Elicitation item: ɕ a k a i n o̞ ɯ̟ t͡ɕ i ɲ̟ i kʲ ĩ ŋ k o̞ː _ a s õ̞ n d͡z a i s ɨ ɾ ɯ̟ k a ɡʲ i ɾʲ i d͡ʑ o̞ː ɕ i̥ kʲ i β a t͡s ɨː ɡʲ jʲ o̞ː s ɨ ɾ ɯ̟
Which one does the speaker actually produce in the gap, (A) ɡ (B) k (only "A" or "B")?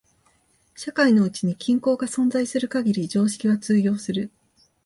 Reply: A